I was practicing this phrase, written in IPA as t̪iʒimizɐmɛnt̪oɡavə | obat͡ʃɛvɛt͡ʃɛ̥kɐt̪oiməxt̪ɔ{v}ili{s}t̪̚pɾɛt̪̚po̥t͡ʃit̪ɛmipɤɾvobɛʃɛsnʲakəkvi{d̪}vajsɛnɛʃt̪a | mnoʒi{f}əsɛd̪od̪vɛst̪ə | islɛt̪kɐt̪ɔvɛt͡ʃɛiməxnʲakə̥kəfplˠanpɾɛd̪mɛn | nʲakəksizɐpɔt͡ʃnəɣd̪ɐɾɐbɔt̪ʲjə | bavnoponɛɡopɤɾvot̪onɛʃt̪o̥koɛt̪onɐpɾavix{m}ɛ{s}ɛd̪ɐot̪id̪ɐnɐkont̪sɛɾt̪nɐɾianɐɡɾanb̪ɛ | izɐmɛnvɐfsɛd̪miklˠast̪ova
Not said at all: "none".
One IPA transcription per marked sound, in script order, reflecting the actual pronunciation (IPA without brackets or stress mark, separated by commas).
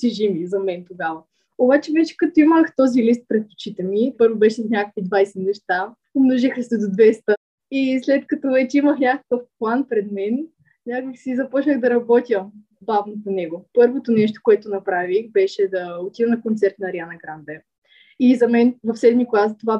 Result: z, s, d̪, x, b, ʃ